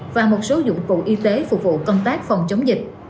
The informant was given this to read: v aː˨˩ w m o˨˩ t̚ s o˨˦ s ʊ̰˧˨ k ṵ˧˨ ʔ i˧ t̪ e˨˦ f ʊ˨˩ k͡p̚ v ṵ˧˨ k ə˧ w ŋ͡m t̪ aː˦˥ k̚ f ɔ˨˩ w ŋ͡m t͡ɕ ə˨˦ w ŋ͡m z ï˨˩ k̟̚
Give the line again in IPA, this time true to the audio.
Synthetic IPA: v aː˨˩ m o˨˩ t̚ s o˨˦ z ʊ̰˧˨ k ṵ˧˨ ʔ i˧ t̪ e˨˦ f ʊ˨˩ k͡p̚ v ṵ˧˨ k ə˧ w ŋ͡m t̪ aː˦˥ k̚ f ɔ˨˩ w ŋ͡m t͡ɕ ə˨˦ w ŋ͡m z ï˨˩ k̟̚